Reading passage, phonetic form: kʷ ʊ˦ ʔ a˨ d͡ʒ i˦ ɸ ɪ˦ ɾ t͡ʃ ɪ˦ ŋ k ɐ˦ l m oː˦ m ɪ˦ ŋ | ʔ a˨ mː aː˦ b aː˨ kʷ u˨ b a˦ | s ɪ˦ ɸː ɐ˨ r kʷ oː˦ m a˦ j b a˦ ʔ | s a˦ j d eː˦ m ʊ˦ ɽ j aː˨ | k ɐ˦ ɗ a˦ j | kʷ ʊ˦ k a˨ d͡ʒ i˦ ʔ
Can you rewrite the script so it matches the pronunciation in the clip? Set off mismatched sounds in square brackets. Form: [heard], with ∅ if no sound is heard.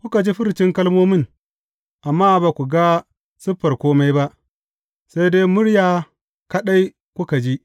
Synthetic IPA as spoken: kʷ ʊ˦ [k] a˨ d͡ʒ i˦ ɸ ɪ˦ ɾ t͡ʃ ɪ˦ ŋ k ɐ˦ l m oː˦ m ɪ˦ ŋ | ʔ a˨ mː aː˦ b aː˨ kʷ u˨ [ɡ] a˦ | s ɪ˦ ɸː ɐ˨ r kʷ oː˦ m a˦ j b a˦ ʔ | s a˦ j d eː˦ m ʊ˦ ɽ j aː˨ | k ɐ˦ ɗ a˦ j | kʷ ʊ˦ k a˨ d͡ʒ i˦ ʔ